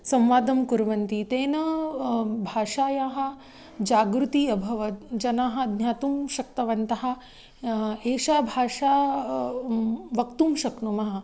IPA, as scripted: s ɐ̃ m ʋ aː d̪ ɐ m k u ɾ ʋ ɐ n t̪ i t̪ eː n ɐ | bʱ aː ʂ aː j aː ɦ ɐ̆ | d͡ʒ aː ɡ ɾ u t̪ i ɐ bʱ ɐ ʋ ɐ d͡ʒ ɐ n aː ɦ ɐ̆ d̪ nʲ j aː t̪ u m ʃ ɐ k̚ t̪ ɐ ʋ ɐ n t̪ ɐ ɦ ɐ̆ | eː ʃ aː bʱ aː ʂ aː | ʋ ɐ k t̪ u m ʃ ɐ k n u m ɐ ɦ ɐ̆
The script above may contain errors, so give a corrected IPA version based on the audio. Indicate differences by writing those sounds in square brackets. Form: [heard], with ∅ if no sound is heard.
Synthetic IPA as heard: s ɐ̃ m ʋ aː d̪ ɐ m k u ɾ ʋ ɐ n t̪ i t̪ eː n ɐ | bʱ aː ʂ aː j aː ɦ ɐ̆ | d͡ʒ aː ɡ ɾ u t̪ i ɐ bʱ ɐ ʋ ɐ d͡ʒ ɐ n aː ɦ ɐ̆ d̪ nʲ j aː t̪ u m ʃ ɐ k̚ t̪ ɐ ʋ ɐ n t̪ ɐ ɦ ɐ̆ | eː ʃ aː bʱ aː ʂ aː | ʋ ɐ k t̪ u m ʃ ɐ k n u m ɐ ɦ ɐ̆